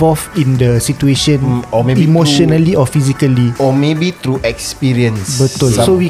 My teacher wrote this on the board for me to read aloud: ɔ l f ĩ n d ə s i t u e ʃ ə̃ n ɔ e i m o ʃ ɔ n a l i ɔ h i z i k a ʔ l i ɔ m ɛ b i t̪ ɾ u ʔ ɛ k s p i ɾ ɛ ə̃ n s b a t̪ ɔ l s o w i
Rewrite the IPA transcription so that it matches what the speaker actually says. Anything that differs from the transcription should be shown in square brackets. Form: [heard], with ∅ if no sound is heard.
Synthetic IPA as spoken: ɔ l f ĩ n d ə s i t u e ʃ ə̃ n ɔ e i m o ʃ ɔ n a l i ɔ [f] i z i k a [∅] l i ɔ m [e] b i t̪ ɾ u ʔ ɛ k s p i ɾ [i] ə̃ n s b [ə] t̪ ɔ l s o w i